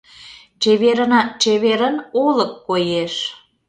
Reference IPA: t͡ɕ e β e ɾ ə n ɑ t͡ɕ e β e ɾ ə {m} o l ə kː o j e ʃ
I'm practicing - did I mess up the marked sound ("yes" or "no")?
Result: yes